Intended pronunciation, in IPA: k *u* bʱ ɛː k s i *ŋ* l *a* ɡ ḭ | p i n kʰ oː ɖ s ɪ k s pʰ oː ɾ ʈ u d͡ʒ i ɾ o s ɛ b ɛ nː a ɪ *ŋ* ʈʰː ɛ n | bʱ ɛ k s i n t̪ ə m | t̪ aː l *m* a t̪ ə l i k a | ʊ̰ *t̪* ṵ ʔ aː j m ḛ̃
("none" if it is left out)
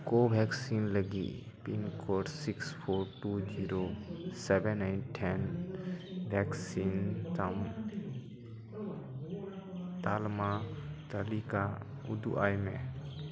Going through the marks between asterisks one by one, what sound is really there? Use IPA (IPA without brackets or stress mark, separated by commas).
o, n, ə, n, m, d̪